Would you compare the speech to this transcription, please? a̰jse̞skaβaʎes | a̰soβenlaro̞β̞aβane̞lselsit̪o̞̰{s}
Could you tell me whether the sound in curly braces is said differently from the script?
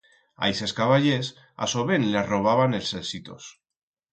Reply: no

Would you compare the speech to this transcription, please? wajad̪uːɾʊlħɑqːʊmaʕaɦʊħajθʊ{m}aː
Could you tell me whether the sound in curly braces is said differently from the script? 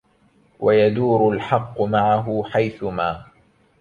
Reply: no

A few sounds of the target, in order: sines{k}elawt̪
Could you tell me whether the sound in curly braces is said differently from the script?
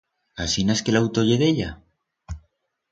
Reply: no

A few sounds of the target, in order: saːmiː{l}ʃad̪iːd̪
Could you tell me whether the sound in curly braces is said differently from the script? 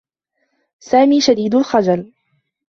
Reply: yes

